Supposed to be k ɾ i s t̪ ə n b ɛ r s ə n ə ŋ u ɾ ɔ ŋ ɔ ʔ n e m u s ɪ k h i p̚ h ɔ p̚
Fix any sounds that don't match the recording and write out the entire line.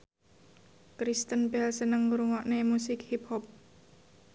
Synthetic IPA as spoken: k ɾ i s t̪ ə n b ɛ l s ə n ə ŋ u ɾ u ŋ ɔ ʔ n e m u s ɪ k h i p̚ h ɔ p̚